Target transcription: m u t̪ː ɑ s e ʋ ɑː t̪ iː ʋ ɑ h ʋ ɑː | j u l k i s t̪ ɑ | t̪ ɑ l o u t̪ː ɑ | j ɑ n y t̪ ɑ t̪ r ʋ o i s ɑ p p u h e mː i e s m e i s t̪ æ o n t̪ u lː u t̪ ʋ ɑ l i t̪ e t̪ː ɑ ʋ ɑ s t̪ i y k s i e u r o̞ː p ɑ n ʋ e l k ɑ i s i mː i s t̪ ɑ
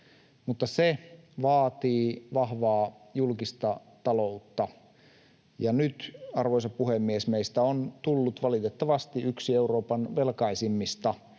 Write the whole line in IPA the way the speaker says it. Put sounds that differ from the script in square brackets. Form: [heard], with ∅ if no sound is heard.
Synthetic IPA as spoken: m u t̪ː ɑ s e ʋ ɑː t̪ iː ʋ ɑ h ʋ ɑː | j u l k i s t̪ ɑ | t̪ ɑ l o u t̪ː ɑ | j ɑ n y t̪ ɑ [∅] r ʋ o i s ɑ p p u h e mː i e s m e i s t̪ æ o n t̪ u lː u t̪ ʋ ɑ l i t̪ e t̪ː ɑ ʋ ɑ s t̪ i y k s i e u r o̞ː p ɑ n ʋ e l k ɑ i s i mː i s t̪ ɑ